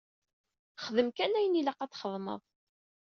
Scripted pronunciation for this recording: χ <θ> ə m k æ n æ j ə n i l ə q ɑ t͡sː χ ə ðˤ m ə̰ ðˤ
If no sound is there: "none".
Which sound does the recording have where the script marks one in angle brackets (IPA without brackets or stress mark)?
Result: ð